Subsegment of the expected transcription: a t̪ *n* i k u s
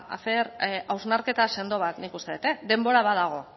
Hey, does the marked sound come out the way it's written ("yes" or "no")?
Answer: yes